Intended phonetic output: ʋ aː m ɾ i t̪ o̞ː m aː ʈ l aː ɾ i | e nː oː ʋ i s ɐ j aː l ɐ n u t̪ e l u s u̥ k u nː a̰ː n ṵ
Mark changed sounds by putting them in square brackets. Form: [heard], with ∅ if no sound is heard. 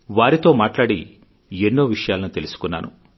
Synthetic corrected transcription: ʋ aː [∅] ɾ i t̪ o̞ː m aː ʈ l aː [ɽ] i | e nː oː ʋ i [ʂ] ɐ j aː l ɐ n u t̪ e l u s u̥ k u nː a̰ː n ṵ